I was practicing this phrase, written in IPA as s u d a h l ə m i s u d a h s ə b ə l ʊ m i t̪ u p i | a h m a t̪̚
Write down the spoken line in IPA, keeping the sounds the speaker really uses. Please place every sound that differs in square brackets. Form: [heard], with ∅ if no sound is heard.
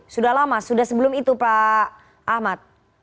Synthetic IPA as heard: s u d a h l [a] m [a] s u d a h s ə b ə l ʊ m i t̪ u p [a] | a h m a t̪̚